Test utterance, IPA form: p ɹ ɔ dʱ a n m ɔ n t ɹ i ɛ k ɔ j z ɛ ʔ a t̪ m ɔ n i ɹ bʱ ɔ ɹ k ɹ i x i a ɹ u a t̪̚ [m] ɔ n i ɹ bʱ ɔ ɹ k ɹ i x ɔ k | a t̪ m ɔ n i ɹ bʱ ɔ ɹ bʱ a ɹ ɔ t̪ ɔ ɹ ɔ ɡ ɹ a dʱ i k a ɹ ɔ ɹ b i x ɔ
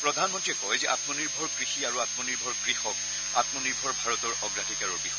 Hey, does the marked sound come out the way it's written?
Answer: yes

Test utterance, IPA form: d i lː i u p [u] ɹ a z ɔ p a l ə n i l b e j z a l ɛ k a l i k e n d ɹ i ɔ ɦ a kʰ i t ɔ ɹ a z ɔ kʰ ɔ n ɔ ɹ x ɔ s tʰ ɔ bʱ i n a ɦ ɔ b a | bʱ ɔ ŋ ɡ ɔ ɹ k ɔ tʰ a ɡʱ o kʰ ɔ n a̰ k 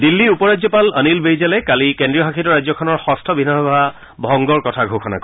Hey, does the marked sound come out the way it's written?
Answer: no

